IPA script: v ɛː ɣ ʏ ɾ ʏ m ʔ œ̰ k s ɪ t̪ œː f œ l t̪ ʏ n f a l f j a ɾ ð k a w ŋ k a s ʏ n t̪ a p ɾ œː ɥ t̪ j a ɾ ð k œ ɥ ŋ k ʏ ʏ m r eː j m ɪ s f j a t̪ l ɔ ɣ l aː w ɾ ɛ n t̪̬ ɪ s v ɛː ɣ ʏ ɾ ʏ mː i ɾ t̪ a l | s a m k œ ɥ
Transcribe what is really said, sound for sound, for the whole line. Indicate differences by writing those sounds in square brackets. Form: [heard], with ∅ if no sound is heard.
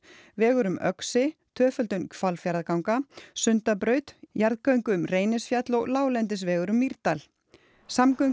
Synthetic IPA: v ɛː ɣ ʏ ɾ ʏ m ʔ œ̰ k s ɪ [t̪ʰ] œː f œ l t̪ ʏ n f a l f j a ɾ ð k a w ŋ k a s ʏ n t̪ a p ɾ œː ɥ t̪ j a ɾ ð k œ ɥ ŋ k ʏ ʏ m r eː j [n] ɪ s f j a t̪ l ɔ ɣ l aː w [l] ɛ n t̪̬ ɪ s v ɛː ɣ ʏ ɾ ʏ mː i ɾ t̪ a l | s a m k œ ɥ